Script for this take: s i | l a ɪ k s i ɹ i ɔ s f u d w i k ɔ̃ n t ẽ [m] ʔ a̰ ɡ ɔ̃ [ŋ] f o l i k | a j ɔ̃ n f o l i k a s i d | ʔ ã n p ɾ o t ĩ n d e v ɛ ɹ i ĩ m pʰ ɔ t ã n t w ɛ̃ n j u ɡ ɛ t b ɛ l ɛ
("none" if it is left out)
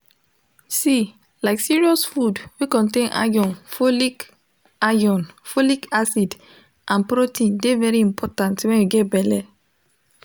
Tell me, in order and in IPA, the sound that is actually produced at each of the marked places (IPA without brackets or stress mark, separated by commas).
n, n